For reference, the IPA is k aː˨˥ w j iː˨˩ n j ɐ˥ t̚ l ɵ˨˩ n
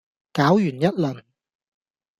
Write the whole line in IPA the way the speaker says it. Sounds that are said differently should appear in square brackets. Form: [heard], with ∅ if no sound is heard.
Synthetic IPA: k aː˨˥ w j [yː˨˩] n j ɐ˥ t̚ l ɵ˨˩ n